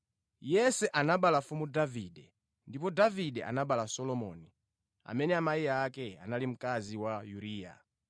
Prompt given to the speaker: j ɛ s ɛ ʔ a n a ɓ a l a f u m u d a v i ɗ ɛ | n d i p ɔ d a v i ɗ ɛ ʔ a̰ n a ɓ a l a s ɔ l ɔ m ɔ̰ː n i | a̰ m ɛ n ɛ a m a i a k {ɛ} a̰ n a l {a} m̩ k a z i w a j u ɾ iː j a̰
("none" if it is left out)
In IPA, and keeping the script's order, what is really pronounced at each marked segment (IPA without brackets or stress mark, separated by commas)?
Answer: ɛ, i